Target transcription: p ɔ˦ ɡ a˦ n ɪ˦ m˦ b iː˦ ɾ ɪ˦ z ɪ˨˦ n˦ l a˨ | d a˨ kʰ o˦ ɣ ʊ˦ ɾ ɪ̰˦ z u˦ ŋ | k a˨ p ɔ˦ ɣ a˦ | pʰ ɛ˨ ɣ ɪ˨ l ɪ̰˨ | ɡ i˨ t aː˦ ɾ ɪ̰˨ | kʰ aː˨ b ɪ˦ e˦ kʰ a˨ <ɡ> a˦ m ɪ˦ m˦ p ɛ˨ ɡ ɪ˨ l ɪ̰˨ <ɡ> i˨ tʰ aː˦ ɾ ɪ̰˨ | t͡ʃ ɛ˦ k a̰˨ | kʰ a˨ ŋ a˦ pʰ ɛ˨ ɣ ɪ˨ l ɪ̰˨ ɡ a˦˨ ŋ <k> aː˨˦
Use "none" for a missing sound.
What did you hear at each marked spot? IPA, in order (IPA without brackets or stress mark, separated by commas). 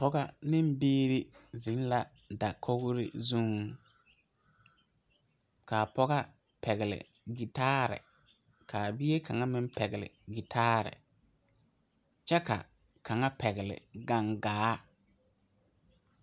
ŋ, ɡ, ɡ